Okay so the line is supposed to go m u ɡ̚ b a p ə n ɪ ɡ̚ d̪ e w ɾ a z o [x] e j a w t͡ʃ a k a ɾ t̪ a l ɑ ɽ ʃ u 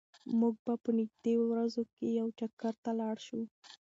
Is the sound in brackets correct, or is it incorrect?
incorrect